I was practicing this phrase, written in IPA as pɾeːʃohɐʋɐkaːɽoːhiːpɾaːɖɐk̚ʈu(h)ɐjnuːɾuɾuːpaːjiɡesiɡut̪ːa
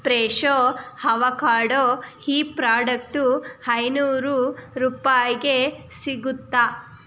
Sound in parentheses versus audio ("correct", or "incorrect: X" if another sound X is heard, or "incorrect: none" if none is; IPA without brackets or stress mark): correct